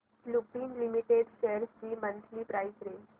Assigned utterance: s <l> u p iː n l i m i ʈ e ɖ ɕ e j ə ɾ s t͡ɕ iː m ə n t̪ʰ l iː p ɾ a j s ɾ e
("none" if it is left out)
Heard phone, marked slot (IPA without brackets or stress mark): l